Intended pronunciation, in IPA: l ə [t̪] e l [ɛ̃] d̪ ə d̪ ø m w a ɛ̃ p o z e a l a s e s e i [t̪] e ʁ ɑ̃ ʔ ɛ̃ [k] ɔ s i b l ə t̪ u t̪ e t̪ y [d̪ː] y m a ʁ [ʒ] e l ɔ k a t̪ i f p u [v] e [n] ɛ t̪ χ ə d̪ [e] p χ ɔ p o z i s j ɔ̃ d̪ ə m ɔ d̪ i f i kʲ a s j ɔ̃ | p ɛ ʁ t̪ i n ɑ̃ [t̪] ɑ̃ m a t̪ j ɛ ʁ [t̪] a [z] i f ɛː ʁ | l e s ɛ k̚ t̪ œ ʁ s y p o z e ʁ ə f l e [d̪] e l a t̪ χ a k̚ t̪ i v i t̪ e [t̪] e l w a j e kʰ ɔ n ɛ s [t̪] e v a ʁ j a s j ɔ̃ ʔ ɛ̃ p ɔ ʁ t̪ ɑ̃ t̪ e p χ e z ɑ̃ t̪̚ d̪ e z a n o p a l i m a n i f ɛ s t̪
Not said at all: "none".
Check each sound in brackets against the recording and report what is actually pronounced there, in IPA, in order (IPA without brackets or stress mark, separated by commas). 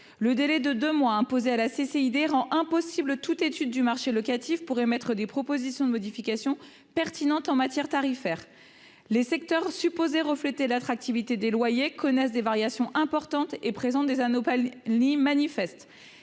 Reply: d̪, ɛ, d̪, p, d̪ː, ʃ, ʁ, m, e, t̪, t̪, ʁ, t̪, d̪, d̪